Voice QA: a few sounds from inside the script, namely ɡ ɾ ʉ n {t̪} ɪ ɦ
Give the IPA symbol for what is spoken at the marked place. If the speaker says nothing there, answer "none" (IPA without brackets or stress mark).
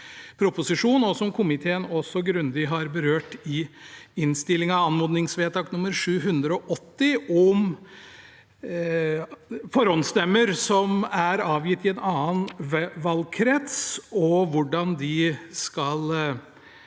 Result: d̪